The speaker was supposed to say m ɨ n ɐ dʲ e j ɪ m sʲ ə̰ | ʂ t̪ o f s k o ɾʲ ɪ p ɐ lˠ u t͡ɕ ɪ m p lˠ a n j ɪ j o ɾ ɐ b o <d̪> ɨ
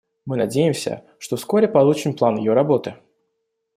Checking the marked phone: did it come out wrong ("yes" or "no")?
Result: yes